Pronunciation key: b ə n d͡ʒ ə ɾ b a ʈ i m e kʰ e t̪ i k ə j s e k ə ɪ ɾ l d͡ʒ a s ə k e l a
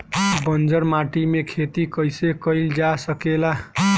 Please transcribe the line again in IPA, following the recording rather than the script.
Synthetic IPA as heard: b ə n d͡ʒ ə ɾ m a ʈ i m e kʰ e t̪ i k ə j s e k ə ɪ l d͡ʒ a s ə k e l a